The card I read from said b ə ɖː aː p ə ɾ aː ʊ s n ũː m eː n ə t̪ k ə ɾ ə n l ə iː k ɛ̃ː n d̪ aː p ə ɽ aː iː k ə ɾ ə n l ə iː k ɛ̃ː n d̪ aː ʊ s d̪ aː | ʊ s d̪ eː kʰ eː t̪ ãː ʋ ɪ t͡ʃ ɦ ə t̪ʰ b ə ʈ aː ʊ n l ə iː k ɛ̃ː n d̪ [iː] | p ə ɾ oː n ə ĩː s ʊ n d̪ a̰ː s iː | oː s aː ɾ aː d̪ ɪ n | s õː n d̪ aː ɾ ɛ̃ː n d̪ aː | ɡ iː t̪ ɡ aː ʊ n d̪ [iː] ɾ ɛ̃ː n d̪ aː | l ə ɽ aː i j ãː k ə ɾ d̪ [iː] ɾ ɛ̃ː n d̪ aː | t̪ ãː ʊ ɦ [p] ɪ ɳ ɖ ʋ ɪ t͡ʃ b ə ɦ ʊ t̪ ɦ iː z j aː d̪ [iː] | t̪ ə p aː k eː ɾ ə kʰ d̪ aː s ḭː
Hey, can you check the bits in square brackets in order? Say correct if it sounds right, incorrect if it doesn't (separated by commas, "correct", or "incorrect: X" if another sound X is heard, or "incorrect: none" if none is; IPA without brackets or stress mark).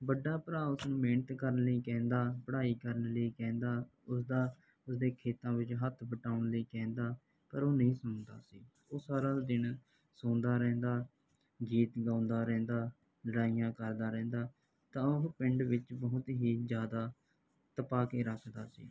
incorrect: aː, incorrect: aː, incorrect: aː, correct, incorrect: aː